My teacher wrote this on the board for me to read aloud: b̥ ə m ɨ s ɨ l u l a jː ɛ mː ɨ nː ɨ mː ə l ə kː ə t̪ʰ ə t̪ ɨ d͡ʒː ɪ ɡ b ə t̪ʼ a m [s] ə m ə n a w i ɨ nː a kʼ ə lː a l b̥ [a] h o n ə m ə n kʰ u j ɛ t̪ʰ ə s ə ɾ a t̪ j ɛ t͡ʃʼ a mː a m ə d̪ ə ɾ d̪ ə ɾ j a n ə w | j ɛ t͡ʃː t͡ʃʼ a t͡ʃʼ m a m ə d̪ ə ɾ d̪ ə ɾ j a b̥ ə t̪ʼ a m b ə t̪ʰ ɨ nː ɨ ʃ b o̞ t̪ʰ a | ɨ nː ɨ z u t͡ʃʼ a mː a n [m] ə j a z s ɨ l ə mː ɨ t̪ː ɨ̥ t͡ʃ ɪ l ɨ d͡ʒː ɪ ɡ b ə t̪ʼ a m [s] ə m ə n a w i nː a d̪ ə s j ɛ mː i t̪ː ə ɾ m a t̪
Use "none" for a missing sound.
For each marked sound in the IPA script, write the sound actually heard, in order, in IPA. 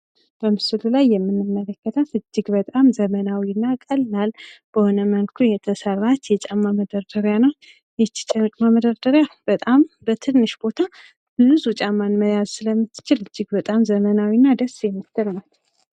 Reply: z, ə, m, z

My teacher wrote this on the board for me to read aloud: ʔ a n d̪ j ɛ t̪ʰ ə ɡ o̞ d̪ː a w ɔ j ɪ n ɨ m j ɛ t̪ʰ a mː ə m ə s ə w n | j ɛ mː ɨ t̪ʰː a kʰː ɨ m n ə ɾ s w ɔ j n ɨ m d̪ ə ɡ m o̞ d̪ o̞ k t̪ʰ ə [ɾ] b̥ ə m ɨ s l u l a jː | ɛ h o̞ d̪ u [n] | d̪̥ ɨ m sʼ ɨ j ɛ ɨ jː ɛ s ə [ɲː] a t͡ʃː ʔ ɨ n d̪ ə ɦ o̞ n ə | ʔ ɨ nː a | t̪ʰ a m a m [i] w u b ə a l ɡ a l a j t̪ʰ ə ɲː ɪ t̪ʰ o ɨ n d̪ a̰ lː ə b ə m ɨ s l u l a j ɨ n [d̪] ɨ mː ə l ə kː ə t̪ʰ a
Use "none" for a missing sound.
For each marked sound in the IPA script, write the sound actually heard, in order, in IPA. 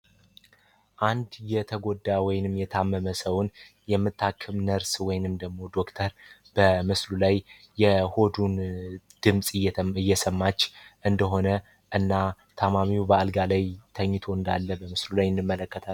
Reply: ɾ, n, mː, i, d̪

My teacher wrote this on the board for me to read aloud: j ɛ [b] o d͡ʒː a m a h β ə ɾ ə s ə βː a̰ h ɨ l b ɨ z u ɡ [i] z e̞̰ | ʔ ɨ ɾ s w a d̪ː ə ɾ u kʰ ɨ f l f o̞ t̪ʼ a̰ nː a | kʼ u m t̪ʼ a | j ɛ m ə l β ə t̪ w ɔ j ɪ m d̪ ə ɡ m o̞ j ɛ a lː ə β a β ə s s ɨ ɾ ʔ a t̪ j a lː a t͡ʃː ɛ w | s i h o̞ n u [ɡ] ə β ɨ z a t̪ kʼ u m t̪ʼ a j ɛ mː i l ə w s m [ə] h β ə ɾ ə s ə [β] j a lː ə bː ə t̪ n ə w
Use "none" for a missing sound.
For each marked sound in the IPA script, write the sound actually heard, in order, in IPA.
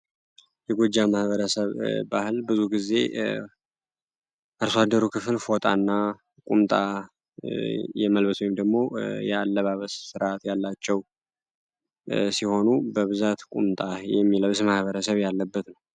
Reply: ɡ, i, b, a, β

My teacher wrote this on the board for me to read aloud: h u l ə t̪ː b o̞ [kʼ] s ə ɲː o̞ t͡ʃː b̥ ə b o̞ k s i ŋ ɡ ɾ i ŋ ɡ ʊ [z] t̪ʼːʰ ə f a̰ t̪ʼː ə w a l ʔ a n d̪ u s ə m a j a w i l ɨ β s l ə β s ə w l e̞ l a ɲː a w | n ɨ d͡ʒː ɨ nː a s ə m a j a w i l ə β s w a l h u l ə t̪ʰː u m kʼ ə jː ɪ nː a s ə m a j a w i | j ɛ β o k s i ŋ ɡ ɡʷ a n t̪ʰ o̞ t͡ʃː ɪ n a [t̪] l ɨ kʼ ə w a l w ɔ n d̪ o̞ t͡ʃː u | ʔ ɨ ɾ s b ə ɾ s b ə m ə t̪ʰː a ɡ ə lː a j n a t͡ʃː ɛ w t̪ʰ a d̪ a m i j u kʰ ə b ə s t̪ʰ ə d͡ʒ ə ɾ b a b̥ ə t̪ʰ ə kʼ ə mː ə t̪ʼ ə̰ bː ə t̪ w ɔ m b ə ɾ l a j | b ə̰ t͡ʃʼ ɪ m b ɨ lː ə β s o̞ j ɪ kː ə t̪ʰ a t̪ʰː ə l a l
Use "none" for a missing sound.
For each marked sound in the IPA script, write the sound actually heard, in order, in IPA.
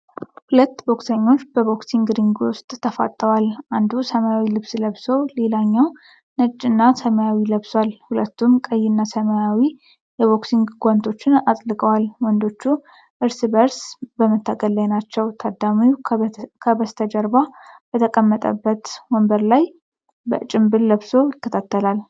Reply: k, s, t̪ʼ

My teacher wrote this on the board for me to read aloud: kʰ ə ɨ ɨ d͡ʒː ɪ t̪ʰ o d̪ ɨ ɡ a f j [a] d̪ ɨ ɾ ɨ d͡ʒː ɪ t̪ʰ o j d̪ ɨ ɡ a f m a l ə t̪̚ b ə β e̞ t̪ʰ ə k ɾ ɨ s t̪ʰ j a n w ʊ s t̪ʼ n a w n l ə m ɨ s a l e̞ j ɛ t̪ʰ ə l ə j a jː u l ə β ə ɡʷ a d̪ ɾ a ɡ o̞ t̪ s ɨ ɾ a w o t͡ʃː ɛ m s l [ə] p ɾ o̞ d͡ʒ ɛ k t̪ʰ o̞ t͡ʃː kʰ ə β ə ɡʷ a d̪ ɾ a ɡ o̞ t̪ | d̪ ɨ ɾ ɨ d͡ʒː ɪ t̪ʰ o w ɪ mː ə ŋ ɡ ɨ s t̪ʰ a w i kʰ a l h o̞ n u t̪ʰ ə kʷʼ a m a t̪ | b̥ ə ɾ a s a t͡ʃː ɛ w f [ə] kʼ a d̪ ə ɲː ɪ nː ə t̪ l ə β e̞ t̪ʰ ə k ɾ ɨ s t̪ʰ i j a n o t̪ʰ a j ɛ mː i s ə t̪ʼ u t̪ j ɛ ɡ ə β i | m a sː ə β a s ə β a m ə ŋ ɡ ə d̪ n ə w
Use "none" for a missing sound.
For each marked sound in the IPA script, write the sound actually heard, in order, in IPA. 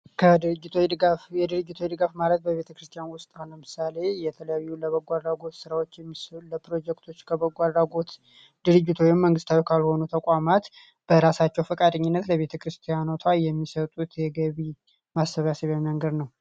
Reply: ɛ, ə, ə

